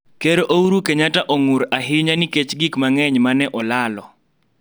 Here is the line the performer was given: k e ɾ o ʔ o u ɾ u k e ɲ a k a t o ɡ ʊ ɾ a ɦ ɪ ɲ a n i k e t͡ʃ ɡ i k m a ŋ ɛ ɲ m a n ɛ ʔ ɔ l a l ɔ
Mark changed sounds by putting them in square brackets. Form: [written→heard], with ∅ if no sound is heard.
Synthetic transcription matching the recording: k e ɾ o ʔ o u ɾ u k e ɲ a [k→t] a [t→ʔ] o [ɡ→ŋ] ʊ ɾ a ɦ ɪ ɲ a n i k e t͡ʃ ɡ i k m a ŋ ɛ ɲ m a n ɛ ʔ ɔ l a l ɔ